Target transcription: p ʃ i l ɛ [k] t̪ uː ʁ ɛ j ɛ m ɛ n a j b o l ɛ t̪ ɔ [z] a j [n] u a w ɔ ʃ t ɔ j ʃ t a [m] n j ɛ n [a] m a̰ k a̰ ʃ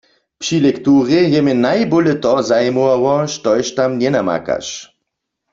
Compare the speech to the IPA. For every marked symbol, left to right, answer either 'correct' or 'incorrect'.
correct, correct, incorrect, correct, correct

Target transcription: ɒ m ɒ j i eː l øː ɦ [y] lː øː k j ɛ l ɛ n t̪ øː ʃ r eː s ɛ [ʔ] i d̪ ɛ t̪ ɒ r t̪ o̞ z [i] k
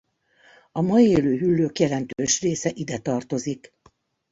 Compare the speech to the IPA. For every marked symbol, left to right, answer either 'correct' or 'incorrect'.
correct, correct, correct

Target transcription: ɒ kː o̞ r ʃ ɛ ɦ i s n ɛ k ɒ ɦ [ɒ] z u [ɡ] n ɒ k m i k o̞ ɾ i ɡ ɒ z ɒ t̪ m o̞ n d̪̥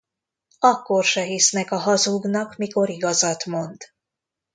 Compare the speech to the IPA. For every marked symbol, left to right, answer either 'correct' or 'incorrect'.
correct, correct

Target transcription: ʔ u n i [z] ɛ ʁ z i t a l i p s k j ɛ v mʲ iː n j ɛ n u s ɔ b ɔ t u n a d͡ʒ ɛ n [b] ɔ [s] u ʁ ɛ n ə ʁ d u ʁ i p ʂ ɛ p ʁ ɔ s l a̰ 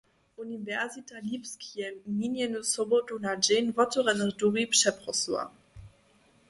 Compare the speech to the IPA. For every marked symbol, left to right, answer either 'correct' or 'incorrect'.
incorrect, incorrect, incorrect

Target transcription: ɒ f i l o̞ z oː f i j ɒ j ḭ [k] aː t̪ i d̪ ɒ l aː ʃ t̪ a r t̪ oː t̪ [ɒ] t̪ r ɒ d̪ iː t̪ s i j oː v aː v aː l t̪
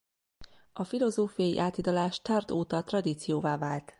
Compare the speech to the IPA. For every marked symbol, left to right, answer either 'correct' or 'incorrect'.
incorrect, correct

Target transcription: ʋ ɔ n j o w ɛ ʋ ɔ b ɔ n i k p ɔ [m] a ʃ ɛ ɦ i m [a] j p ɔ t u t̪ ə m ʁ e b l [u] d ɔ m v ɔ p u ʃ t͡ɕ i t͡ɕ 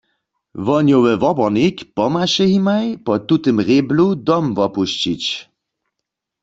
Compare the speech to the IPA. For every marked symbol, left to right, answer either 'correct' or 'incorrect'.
correct, correct, correct

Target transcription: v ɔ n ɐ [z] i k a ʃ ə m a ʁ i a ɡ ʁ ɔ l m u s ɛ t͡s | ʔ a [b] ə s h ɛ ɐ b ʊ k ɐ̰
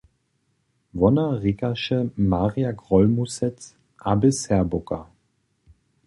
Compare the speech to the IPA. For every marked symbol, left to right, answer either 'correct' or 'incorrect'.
incorrect, correct

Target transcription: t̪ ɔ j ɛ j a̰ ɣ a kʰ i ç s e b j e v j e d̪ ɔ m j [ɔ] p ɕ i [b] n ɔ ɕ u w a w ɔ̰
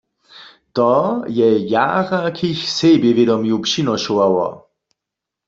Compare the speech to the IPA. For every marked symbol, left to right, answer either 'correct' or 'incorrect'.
incorrect, incorrect

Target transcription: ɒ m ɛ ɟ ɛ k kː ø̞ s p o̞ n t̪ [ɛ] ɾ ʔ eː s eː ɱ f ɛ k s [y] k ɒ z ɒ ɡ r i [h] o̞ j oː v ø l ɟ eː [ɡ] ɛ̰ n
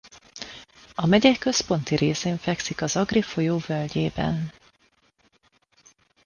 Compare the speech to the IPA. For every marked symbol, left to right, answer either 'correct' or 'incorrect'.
incorrect, incorrect, incorrect, incorrect

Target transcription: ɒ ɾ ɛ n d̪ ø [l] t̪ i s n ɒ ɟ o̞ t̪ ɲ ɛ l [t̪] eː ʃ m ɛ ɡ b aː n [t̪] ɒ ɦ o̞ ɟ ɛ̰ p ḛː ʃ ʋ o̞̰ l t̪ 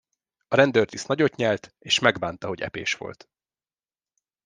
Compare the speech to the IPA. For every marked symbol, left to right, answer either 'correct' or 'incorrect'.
incorrect, correct, correct

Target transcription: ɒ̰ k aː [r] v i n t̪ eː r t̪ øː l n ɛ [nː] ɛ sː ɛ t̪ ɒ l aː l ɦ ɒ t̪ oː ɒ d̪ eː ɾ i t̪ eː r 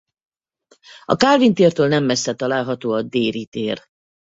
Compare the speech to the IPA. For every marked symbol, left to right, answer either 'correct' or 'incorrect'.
incorrect, incorrect

